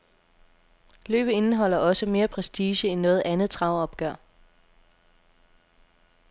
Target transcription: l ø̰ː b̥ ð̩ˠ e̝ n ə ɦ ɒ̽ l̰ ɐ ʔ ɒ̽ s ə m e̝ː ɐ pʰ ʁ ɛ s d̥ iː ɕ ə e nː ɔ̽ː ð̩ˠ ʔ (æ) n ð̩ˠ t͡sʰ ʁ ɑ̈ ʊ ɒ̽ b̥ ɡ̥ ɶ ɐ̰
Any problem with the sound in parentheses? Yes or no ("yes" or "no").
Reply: no